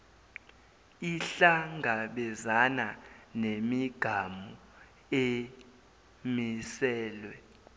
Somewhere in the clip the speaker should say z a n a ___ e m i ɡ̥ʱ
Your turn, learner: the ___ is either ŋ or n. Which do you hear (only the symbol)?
n